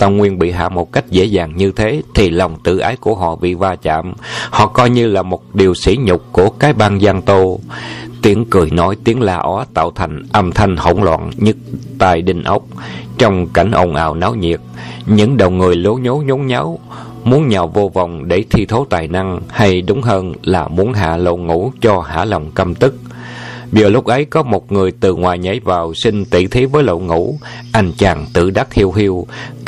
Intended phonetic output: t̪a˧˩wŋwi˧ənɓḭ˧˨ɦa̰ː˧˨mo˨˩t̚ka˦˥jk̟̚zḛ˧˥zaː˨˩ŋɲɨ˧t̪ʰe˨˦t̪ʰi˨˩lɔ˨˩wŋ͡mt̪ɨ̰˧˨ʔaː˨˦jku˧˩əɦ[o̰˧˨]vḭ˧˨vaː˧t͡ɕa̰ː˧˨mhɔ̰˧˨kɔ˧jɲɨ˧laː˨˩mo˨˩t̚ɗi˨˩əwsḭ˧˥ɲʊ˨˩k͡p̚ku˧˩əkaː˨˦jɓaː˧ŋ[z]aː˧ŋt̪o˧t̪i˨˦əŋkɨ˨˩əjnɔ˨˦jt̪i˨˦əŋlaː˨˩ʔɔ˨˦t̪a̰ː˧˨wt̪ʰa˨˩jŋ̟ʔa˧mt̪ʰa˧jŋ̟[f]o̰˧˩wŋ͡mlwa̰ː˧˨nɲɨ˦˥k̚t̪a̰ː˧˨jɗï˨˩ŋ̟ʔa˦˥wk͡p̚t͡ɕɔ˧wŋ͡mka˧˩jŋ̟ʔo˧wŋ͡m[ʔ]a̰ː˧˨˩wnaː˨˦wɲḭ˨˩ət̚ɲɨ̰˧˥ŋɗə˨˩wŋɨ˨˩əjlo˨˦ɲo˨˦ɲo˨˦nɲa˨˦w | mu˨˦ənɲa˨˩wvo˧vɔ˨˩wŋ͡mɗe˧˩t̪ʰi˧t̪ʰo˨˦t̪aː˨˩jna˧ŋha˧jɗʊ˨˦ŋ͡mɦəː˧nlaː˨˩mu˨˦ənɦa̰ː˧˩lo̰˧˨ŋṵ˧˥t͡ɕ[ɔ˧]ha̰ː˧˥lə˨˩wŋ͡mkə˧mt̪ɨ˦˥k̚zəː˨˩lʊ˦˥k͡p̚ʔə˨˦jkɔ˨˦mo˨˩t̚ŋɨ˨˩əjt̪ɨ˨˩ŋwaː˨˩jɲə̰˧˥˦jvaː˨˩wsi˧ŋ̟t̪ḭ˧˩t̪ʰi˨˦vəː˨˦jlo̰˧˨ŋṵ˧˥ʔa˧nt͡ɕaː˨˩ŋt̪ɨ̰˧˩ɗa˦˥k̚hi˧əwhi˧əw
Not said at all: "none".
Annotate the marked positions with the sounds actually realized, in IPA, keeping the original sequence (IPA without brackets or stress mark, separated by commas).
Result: ɔ̰˧˨, z, h, ʔ, ɔ˧